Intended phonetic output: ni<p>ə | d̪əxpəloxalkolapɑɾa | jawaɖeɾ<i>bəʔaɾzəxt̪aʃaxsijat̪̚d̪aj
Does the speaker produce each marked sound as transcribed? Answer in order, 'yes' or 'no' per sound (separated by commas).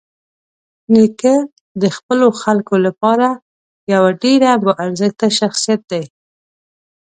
no, no